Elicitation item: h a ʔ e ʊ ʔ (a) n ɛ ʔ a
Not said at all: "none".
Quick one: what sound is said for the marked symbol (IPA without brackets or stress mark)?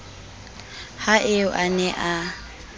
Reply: a